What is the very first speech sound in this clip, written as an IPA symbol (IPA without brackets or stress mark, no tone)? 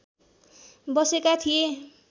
b